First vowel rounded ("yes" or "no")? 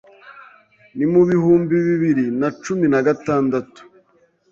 no